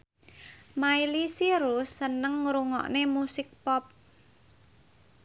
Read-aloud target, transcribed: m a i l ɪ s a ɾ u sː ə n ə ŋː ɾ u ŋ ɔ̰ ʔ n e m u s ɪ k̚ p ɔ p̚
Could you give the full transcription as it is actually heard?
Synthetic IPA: m a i l i s i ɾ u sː ə n ə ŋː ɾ u ŋ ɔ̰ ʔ n e m u s ɪ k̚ p ɔ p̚